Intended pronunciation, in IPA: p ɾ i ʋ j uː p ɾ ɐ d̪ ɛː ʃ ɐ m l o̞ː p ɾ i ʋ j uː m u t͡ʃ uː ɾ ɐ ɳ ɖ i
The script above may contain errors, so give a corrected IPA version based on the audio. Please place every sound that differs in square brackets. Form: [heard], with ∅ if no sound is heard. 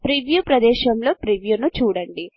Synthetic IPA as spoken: p ɾ i ʋ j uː p ɾ ɐ d̪ ɛː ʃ ɐ m l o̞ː p ɾ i ʋ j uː [n] u t͡ʃ uː [ɽ] ɐ ɳ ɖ i